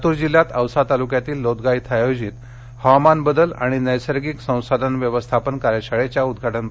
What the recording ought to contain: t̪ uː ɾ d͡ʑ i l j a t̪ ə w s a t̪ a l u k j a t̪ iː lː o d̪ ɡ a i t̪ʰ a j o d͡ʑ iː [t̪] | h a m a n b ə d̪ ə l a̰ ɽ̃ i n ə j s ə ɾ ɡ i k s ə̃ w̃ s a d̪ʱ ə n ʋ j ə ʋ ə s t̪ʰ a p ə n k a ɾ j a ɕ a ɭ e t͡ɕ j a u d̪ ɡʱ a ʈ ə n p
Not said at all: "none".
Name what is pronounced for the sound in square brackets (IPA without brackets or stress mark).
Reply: t̪